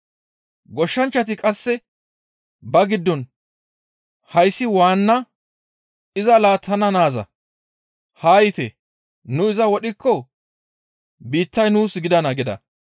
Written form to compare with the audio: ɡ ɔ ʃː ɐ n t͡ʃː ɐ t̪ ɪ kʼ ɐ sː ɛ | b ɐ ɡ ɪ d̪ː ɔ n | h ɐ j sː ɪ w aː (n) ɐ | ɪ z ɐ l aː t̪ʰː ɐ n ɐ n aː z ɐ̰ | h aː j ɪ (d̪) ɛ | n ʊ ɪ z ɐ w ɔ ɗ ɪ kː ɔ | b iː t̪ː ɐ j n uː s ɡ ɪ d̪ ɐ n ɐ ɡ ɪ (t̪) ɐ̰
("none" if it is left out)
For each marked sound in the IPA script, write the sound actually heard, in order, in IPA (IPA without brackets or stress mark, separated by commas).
nː, t̪, d̪